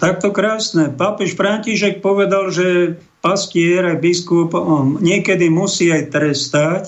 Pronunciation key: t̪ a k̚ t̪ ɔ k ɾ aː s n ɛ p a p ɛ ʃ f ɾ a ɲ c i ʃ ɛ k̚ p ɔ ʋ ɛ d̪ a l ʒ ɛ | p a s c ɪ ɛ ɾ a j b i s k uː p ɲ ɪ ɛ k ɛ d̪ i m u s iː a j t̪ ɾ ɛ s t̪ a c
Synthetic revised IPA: t̪ a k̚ t̪ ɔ k ɾ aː s n ɛ p a p ɛ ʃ f ɾ a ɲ c i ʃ ɛ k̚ p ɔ ʋ ɛ d̪ a l ʒ ɛ | p a s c ɪ ɛ ɾ a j b i s k u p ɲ ɪ ɛ k ɛ d̪ i m u s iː a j t̪ ɾ ɛ s t̪ a c